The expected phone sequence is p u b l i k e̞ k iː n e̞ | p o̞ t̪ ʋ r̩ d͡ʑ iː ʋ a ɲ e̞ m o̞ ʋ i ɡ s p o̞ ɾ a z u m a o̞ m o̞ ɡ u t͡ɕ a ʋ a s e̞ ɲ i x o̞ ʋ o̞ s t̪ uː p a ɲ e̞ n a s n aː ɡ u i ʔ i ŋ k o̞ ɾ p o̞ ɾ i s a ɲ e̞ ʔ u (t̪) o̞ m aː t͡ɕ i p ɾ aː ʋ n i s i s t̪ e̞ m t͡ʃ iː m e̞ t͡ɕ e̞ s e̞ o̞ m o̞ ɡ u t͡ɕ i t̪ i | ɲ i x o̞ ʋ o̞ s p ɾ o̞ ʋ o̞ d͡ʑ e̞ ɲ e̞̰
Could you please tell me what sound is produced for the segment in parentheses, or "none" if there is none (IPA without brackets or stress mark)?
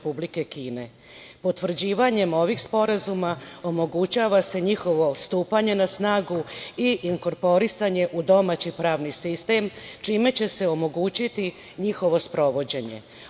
d̪